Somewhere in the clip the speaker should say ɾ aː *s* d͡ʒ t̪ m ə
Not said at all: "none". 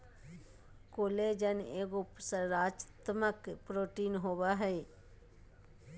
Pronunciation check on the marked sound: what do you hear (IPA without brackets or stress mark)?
none